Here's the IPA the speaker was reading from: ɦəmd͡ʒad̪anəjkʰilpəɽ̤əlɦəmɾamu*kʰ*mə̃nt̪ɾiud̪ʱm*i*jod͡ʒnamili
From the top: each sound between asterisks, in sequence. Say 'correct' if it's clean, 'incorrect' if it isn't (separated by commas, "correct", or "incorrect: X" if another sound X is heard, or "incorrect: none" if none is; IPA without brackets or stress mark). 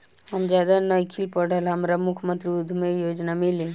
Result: correct, incorrect: e